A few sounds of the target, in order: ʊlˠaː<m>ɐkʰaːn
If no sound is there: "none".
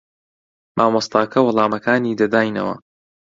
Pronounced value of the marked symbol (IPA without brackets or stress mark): m